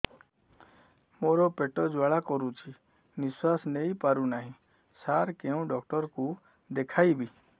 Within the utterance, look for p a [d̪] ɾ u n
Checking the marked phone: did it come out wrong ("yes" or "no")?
yes